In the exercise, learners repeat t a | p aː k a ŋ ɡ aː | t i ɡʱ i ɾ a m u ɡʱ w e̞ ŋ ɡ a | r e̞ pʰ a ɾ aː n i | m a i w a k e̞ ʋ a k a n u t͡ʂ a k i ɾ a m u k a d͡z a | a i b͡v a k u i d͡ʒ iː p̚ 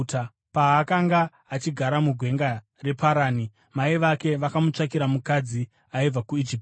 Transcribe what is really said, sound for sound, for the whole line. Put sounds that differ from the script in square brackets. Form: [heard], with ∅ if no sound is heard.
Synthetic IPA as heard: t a | p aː k a ŋ ɡ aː | [t͡ʃ] i ɡʱ [a] ɾ a m u ɡʱ w e̞ ŋ ɡ a | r e̞ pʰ a ɾ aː n i | m a i [ʋ] a k e̞ ʋ a k a [m] u t͡ʂ a k i ɾ a m u k a d͡z [i] | a i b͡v a k u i d͡ʒ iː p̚